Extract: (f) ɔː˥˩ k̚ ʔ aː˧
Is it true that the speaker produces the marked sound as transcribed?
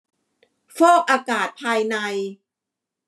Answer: yes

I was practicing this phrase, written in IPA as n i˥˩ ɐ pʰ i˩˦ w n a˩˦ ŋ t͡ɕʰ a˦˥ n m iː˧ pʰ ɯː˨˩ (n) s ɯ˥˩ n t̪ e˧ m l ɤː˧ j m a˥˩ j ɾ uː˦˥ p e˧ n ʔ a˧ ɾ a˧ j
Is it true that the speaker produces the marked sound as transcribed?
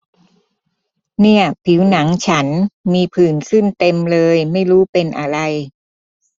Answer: yes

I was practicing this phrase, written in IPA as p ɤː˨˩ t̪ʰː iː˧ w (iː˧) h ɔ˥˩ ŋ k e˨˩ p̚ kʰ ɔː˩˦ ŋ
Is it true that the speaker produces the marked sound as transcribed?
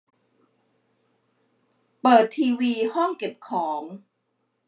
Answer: yes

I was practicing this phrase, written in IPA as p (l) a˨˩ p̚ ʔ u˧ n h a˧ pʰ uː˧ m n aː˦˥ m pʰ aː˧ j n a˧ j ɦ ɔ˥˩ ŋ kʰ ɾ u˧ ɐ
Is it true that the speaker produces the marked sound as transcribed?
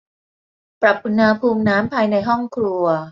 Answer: no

